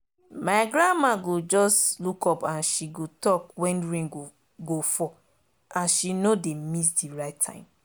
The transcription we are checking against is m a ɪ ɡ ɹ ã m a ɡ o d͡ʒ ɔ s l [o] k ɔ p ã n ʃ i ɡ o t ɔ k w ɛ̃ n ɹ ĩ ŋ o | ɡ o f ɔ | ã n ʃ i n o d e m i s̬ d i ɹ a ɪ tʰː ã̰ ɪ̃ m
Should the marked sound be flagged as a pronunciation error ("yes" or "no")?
yes